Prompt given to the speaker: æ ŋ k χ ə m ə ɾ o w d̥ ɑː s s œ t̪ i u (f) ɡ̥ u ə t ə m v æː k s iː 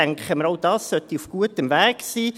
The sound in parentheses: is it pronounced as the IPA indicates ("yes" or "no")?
yes